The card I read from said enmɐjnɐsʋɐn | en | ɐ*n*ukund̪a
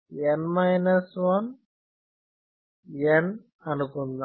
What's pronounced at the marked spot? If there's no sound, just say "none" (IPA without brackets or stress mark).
n